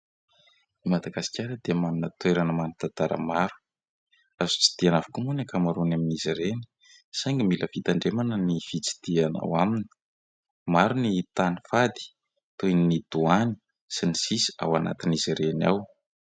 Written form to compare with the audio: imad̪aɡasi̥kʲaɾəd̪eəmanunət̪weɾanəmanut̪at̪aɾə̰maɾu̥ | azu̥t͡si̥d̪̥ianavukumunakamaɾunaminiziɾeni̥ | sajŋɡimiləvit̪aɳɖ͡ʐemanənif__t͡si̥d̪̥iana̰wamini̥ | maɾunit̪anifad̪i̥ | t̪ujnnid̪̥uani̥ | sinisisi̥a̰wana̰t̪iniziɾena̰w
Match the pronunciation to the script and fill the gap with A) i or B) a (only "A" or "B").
A